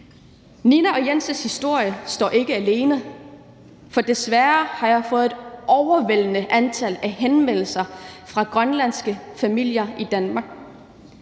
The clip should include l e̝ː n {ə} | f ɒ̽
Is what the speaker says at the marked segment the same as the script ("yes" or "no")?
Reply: yes